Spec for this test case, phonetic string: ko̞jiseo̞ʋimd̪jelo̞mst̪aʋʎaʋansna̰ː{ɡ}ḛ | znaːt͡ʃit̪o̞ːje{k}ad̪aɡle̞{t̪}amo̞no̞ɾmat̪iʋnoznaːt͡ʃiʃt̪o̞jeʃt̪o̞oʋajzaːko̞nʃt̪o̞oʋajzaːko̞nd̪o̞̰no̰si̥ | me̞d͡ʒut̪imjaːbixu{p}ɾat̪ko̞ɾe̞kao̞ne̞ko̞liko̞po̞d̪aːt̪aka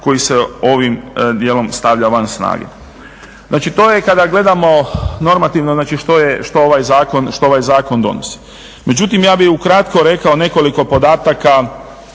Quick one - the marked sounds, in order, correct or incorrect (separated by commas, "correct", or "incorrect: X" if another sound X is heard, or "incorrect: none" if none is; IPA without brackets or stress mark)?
correct, correct, incorrect: d̪, incorrect: k